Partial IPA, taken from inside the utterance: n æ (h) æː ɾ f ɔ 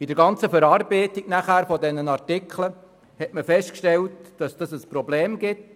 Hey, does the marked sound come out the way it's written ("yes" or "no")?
no